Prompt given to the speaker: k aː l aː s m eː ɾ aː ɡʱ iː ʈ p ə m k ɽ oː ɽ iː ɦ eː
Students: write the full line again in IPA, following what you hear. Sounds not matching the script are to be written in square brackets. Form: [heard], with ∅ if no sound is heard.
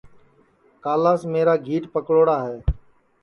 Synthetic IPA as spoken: k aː l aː s m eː ɾ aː ɡʱ iː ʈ p ə [∅] k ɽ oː ɽ [aː] ɦ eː